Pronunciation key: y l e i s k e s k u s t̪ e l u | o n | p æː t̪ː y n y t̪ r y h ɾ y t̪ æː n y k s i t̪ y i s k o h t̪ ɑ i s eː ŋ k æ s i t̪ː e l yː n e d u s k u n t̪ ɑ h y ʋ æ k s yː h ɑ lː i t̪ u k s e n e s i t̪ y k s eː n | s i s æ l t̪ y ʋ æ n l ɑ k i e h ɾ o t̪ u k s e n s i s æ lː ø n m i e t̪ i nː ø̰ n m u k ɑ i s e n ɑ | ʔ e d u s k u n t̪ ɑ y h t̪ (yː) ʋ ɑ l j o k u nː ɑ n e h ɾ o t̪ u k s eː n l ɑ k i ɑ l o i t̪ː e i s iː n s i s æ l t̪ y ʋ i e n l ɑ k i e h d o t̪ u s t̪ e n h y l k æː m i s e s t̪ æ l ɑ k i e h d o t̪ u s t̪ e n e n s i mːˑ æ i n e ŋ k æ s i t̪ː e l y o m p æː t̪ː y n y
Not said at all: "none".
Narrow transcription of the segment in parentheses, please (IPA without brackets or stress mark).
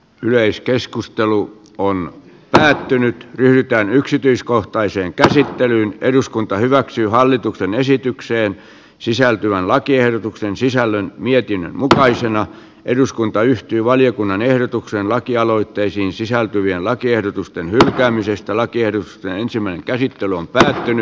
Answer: yː